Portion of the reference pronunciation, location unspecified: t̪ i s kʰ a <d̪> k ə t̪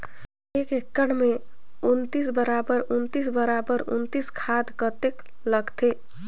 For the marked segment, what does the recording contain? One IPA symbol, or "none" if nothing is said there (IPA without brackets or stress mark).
d̪